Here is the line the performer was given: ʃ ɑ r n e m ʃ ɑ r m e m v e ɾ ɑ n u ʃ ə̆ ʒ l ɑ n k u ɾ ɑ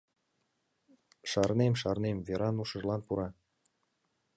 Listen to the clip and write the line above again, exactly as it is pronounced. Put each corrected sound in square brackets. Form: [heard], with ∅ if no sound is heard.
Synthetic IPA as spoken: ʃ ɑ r n e m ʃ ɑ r [n] e m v e ɾ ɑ n u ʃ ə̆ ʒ l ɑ n [p] u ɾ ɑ